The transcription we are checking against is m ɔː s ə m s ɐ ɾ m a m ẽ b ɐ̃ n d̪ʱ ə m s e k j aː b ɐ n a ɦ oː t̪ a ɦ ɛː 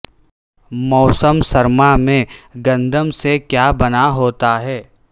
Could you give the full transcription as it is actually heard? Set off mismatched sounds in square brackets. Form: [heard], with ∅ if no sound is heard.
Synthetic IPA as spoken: m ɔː s ə m s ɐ ɾ m a m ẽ [ɡ] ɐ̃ n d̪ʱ ə m s e k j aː b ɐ n a ɦ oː t̪ a ɦ ɛː